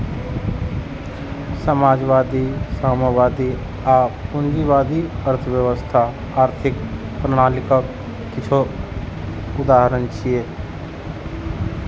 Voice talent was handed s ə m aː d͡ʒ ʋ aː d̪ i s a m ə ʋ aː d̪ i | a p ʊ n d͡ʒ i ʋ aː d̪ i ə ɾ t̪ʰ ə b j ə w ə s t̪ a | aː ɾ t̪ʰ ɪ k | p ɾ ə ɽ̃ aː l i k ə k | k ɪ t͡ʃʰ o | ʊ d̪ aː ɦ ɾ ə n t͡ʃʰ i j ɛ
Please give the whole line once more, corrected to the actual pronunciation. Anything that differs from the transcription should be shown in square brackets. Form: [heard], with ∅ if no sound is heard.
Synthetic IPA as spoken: s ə m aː d͡ʒ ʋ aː d̪ i s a m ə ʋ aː d̪ i | a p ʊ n d͡ʒ i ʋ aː d̪ i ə ɾ t̪ʰ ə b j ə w ə s [t̪ʰ] a | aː ɾ t̪ʰ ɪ k | p ɾ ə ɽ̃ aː l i k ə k | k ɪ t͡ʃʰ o | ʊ d̪ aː ɦ ɾ ə n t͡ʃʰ i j [e]